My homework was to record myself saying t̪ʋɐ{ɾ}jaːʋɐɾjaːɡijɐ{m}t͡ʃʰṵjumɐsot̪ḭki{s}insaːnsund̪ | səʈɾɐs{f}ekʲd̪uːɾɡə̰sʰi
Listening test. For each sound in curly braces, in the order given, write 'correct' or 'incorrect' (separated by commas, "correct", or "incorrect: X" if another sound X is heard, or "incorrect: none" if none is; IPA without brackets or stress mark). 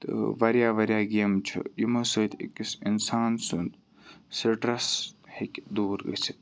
correct, correct, correct, incorrect: h